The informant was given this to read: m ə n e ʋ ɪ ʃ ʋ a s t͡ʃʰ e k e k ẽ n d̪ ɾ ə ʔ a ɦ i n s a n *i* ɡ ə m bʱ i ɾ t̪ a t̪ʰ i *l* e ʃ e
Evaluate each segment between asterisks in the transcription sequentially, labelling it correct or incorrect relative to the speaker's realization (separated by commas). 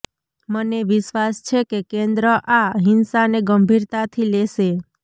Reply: incorrect, correct